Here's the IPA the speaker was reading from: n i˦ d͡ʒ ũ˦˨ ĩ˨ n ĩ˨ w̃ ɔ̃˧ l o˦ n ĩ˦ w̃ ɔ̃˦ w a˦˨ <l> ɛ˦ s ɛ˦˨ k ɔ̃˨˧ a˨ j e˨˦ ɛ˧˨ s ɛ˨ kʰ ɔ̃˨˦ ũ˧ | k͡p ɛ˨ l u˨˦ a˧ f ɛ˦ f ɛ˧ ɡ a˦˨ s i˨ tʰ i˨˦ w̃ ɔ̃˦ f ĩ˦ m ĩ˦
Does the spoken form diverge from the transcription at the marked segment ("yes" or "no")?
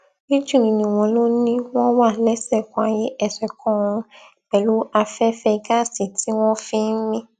no